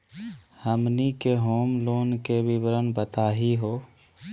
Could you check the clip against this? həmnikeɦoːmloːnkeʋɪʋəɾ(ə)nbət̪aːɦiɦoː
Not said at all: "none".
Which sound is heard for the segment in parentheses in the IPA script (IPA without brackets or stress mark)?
ə